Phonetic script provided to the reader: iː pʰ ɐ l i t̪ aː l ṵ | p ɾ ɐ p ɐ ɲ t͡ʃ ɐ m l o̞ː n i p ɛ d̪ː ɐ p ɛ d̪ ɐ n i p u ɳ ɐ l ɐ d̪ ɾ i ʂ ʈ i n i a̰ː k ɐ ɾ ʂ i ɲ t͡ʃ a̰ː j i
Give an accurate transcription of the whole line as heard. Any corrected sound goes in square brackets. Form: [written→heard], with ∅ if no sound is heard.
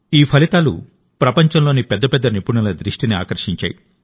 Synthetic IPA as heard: iː pʰ ɐ l i t̪ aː l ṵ | p ɾ ɐ p ɐ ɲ t͡ʃ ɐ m l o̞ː n i p ɛ d̪ː ɐ p ɛ [d̪→d̪ː] ɐ n i p u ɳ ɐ l ɐ d̪ ɾ i ʂ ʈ i n i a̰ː k ɐ ɾ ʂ i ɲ t͡ʃ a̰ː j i